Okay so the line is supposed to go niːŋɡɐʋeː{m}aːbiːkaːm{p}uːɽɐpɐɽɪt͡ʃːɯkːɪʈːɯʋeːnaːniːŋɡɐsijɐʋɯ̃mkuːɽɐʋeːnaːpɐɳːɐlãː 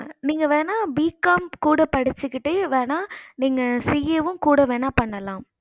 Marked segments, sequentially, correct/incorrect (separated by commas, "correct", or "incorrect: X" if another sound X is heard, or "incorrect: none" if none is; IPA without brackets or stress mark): incorrect: n, incorrect: k